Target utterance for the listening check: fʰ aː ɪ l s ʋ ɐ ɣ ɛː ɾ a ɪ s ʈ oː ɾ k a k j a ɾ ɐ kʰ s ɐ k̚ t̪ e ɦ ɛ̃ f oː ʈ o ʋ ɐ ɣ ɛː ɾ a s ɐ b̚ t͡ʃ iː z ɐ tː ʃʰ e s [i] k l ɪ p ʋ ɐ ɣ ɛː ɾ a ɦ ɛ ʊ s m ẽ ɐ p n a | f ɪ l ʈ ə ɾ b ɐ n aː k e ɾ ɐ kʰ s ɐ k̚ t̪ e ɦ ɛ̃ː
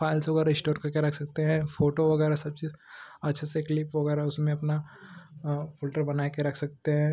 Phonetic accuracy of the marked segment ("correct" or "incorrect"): incorrect